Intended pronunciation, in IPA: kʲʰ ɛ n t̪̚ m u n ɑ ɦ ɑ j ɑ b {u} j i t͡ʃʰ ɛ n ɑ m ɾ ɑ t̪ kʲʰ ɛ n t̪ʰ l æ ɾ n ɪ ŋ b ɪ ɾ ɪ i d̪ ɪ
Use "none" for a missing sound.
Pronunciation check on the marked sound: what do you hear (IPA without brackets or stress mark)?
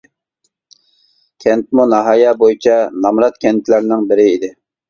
o